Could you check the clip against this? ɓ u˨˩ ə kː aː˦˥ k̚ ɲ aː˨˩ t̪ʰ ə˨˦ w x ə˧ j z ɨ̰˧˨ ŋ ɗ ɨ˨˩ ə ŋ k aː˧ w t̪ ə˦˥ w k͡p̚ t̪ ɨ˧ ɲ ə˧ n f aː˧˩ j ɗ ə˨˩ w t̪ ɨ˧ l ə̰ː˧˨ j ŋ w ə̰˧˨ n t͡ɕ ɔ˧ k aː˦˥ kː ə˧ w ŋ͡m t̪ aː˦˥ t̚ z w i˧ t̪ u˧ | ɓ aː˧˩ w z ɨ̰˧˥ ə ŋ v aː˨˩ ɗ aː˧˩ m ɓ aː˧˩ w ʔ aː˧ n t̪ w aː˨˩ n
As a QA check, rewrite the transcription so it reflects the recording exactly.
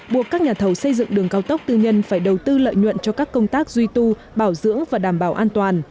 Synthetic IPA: ɓ u˨˩ ə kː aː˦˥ k̚ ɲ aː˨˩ t̪ʰ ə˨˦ w s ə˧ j z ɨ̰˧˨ ŋ ɗ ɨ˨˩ ə ŋ k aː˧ w t̪ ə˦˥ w k͡p̚ t̪ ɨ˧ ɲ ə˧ n f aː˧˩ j ɗ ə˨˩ w t̪ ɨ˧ l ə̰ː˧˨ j ɲ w ə̰˧˨ n t͡ɕ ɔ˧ k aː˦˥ kː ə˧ w ŋ͡m t̪ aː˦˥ k̚ z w i˧ t̪ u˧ | ɓ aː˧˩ w z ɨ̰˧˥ ə ŋ v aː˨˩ ɗ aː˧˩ m ɓ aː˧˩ w ʔ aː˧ n t̪ w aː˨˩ n